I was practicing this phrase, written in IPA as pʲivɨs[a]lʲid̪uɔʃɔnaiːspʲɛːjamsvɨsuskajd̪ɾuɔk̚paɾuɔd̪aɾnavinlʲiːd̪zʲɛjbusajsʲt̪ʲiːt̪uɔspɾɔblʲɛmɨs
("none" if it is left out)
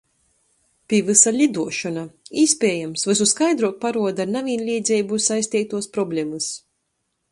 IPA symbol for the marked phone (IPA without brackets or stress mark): a